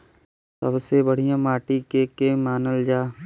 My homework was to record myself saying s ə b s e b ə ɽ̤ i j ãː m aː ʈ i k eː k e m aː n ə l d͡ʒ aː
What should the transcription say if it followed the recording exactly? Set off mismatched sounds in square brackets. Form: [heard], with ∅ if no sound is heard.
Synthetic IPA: s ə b s e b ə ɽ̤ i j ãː m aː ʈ i k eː k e m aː n ə l d͡ʒ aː